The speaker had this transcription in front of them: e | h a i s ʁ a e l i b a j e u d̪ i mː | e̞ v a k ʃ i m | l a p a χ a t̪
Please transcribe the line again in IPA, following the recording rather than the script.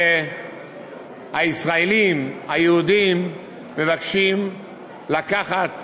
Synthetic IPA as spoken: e | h a i s ʁ a e l i m a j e u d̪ i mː | e̞ v a k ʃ i m | l a k a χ a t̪